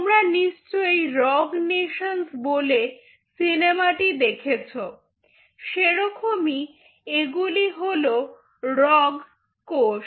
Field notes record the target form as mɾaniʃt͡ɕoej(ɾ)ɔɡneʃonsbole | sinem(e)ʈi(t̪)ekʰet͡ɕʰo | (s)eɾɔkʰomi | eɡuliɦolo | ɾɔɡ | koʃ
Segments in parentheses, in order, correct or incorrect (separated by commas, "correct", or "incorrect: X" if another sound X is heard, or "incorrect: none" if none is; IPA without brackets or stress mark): correct, incorrect: a, incorrect: d̪, incorrect: ʃ